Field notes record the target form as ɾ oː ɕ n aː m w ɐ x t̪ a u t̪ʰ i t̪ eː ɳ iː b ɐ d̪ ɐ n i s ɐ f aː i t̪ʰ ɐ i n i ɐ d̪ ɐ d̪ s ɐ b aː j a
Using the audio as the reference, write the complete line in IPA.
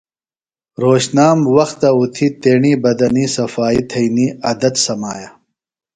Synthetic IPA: ɾ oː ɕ n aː m w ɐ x t̪ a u t̪ʰ i t̪ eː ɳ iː b ɐ d̪ ɐ n i s ɐ f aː i t̪ʰ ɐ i n i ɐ d̪ ɐ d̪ s ɐ m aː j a